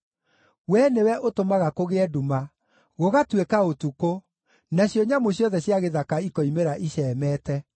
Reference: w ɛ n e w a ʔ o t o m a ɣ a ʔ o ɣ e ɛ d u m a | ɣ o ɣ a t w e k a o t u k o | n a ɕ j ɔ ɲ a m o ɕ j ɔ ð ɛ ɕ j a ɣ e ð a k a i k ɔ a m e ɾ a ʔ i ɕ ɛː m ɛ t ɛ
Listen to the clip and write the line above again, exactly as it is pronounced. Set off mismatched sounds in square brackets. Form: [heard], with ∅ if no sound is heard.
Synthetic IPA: w ɛ n e w [ɛ] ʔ o t o m a ɣ a [k] o ɣ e ɛ d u m a | ɣ o ɣ a t w e k a o t u k o | n a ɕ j ɔ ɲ a m o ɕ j ɔ ð ɛ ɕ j a ɣ e ð a k a i k ɔ [i] m e ɾ a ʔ i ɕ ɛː m ɛ t ɛ